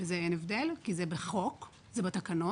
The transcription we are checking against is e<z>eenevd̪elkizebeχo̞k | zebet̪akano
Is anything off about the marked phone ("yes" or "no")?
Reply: no